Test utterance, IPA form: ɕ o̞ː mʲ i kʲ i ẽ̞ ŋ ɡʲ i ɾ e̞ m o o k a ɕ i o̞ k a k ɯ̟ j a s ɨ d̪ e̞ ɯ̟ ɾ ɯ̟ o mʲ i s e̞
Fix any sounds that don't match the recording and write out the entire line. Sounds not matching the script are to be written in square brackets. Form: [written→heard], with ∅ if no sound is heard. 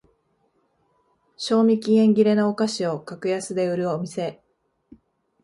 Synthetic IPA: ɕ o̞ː mʲ i kʲ i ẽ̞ ŋ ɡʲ i ɾ e̞ [m→n] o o k a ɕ i o̞ k a k ɯ̟ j a s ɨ d̪ e̞ ɯ̟ ɾ ɯ̟ o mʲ i s e̞